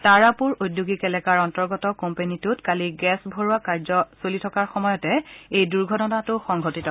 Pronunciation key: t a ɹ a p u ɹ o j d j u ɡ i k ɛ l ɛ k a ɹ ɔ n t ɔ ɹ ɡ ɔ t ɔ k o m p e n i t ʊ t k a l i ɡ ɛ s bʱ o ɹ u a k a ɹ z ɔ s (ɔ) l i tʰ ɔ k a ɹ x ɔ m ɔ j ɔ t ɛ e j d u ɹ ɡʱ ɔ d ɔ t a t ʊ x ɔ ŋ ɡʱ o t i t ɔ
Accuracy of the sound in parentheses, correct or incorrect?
incorrect